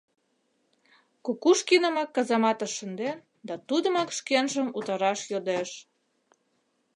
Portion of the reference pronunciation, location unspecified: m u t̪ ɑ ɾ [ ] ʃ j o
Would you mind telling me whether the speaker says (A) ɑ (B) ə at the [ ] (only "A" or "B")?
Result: A